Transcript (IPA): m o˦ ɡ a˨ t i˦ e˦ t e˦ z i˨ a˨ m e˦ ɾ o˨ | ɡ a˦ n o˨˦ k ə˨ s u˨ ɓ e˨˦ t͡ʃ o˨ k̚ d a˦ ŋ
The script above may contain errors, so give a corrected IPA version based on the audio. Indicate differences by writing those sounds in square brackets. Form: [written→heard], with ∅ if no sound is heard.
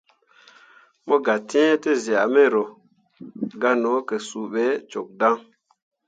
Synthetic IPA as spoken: m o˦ ɡ a˨ t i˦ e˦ t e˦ z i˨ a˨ m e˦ ɾ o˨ | ɡ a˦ n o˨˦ k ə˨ s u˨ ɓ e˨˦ t͡ʃ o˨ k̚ d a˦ ŋ